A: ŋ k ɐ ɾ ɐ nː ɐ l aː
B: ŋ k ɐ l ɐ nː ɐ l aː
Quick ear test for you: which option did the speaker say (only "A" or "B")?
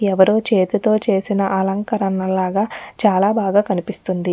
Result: A